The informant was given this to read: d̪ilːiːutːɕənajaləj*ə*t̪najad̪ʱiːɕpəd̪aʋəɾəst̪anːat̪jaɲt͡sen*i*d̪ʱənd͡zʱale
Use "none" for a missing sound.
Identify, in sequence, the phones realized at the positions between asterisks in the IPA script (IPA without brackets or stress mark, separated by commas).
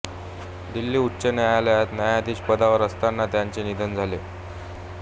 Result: a, i